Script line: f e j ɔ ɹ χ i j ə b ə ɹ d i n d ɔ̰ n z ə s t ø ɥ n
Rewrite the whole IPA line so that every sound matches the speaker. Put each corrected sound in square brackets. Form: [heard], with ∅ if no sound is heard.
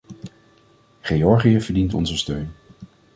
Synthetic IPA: [χ] e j ɔ ɹ χ i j ə [v] ə ɹ d i n [t] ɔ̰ n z ə s t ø ɥ n